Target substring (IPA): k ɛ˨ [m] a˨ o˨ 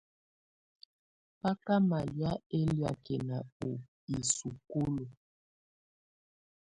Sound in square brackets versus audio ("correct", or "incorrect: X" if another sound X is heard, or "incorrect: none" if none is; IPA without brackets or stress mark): incorrect: n